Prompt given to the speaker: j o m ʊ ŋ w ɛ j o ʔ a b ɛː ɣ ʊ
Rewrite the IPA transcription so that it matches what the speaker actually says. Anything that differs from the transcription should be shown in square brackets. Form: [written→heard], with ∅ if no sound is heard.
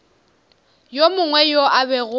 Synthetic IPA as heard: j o m ʊ ŋ w ɛ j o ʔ a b [ɛː→ɛ] ɣ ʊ